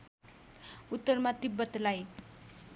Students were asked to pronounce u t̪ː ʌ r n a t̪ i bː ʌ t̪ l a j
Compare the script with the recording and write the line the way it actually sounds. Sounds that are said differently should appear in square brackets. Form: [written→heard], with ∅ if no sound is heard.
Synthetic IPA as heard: u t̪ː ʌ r [n→m] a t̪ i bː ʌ t̪ l a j